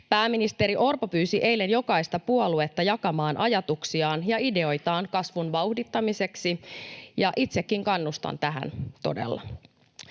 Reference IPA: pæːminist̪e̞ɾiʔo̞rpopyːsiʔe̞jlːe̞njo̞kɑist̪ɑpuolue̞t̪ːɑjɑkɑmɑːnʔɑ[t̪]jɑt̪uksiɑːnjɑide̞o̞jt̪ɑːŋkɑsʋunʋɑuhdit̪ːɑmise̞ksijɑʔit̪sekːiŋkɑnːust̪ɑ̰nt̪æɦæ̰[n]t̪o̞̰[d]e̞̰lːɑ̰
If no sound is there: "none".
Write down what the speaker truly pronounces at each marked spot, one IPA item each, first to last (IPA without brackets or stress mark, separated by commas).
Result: none, n, d